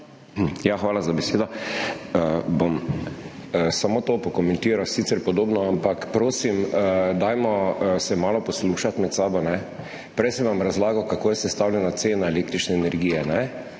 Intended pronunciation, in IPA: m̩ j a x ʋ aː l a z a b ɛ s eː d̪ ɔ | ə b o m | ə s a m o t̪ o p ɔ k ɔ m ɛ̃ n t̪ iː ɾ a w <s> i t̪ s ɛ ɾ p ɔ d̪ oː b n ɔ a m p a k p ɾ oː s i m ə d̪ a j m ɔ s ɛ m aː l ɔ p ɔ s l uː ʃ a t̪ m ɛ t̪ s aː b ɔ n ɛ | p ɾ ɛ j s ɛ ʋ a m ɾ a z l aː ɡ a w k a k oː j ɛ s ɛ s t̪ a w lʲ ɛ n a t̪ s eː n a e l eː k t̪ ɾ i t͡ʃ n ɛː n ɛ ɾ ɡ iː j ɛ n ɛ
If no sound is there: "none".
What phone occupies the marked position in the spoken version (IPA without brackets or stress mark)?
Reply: s